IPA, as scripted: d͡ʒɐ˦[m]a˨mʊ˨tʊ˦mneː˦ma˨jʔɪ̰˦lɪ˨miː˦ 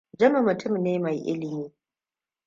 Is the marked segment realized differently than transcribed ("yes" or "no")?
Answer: no